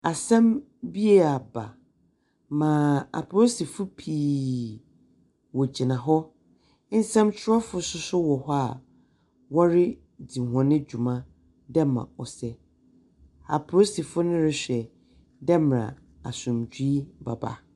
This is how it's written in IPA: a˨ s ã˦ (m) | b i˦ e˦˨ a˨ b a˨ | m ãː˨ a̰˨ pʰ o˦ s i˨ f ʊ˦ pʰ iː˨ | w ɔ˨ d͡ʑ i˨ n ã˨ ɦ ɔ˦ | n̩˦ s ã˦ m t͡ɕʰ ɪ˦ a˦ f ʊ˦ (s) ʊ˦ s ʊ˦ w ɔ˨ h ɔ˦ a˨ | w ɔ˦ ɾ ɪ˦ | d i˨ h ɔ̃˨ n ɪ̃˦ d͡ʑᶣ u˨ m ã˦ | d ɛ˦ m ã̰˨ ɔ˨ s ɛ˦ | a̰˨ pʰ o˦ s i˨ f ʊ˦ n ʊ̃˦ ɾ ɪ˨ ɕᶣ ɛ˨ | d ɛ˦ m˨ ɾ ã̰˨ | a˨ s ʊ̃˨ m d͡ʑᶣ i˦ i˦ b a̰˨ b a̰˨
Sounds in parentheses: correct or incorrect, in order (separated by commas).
correct, correct